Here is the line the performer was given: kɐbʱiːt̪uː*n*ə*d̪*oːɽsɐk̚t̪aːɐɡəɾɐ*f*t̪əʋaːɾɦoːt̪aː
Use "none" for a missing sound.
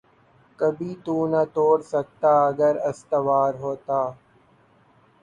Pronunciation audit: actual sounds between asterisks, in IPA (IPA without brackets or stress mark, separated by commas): n, t̪, s